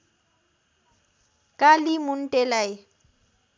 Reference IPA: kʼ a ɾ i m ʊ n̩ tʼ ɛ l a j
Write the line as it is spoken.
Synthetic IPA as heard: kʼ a l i m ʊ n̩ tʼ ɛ l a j